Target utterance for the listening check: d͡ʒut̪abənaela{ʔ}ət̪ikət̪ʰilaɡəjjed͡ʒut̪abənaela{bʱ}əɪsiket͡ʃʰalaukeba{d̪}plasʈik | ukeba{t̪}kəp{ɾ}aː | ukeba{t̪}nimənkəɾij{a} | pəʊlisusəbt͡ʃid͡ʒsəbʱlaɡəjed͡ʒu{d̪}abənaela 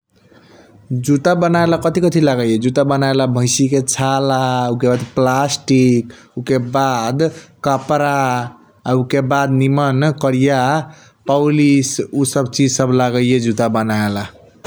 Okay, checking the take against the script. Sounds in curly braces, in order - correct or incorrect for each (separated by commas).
incorrect, correct, correct, incorrect, correct, incorrect, correct, incorrect